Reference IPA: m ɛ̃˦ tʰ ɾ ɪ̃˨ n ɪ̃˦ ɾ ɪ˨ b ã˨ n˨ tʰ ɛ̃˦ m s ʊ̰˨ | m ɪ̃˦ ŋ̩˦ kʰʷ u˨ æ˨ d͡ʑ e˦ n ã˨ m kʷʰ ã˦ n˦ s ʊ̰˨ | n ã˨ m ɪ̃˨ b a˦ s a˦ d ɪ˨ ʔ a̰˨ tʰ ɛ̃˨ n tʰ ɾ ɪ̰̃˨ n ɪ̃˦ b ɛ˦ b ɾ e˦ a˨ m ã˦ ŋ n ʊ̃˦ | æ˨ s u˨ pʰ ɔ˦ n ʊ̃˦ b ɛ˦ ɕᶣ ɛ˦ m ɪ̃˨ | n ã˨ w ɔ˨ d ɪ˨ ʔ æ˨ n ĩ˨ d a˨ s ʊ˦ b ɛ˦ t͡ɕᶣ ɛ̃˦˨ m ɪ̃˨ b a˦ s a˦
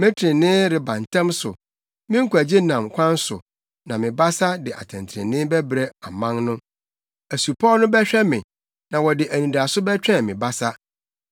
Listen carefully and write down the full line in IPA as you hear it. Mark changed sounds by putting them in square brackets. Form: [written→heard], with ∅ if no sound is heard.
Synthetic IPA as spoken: m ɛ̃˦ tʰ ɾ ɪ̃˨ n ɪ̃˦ ɾ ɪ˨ b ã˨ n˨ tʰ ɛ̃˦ m s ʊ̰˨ | m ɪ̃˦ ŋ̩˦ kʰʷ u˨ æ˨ d͡ʑ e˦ n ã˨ m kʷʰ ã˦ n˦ s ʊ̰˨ | n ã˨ m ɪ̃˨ b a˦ s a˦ d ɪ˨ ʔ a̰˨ tʰ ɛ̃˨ n tʰ ɾ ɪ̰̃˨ n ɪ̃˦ b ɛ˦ b ɾ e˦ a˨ m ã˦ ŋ n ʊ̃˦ | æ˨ s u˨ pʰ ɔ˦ n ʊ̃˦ b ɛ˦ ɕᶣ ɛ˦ m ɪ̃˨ | n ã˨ w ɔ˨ d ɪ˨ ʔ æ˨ n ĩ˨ d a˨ s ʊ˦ b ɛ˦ t͡ɕᶣ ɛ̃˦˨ m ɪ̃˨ b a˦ s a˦

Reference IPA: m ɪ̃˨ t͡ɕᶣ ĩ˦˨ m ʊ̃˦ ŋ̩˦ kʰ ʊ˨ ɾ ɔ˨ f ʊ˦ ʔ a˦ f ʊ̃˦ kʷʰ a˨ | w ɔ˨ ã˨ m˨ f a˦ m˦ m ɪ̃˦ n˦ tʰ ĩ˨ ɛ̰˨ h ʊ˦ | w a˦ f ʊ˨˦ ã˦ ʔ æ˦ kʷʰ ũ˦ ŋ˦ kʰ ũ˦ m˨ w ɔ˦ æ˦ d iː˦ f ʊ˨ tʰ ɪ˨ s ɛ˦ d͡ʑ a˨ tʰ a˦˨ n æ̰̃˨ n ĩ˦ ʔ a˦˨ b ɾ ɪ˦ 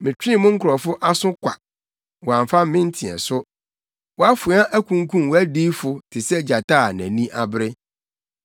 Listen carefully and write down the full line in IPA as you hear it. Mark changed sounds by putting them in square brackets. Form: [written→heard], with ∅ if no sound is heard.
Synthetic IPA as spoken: m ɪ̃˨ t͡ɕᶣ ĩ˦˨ m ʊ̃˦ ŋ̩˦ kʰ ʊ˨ ɾ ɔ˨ f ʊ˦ ʔ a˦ [f→s] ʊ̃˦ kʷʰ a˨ | w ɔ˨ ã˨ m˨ f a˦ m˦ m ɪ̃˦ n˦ tʰ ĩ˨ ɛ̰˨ [h→s] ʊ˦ | w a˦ f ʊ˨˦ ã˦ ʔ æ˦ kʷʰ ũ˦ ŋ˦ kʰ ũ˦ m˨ w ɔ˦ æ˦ d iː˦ f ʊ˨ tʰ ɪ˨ s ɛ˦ d͡ʑ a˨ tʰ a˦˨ n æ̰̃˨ n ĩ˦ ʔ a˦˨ b ɾ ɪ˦

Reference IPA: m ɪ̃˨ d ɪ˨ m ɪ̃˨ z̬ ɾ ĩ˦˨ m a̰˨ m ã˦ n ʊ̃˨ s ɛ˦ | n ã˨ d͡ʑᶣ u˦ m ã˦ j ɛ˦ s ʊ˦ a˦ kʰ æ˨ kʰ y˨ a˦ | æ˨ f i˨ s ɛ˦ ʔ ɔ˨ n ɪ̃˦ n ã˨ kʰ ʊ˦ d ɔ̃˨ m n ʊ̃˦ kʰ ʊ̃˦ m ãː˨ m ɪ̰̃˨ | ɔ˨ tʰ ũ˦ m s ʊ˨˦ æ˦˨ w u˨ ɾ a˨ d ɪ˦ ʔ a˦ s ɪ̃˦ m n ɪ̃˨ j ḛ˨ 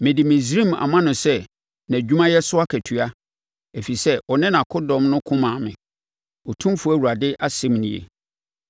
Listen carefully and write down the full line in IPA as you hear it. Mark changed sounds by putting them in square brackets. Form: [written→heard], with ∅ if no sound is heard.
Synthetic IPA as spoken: m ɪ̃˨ d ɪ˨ m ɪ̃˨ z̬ ɾ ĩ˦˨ m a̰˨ m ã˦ n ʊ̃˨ s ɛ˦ | n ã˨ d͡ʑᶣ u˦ m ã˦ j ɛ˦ s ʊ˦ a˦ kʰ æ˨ [kʰ→tʰ] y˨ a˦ | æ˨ f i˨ s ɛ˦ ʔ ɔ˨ n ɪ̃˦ n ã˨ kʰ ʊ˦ d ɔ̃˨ m n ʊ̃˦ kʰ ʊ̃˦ m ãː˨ m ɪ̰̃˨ | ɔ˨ tʰ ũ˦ m [s→f] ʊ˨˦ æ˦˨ w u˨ ɾ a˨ d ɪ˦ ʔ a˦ s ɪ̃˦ m n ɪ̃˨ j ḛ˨

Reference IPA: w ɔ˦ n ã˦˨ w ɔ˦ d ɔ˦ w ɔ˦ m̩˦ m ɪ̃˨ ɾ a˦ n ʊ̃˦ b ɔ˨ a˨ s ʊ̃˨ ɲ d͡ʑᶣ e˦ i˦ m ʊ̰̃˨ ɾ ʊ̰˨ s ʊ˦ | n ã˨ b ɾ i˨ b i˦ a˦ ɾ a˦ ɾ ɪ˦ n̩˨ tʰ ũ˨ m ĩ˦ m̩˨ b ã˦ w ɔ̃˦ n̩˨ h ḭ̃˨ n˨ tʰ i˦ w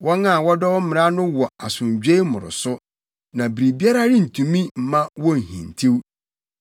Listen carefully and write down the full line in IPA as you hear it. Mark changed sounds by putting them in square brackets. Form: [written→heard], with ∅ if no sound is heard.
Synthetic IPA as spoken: w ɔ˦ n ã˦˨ w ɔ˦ d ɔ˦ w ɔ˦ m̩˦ m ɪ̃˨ ɾ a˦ n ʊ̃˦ [b→w] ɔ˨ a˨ s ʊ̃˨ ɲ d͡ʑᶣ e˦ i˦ m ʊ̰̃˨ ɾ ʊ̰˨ s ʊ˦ | n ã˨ b ɾ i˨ b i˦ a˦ ɾ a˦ ɾ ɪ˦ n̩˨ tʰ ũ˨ m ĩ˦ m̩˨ [b→m] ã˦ w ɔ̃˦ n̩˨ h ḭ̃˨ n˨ tʰ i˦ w

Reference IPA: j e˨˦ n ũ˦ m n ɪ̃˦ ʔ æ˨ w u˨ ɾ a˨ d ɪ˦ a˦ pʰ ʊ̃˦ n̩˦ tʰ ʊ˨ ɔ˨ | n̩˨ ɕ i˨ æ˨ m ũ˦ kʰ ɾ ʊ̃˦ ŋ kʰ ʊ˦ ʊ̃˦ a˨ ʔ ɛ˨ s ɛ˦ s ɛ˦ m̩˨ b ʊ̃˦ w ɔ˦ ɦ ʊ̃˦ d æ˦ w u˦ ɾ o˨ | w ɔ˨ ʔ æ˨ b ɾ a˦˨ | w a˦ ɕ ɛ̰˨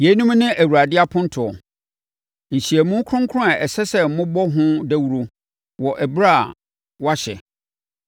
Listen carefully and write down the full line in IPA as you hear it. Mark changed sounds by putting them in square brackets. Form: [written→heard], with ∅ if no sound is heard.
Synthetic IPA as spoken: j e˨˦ n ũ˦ m n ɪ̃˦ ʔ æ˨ w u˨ ɾ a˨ d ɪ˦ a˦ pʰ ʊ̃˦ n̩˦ tʰ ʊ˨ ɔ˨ | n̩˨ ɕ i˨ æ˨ m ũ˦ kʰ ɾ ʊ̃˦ ŋ kʰ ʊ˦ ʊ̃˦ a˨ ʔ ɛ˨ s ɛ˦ s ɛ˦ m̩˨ [b→m] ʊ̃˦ [w→b] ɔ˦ ɦ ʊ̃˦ d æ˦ w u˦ ɾ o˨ | w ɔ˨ ʔ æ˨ b ɾ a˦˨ | w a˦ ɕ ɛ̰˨

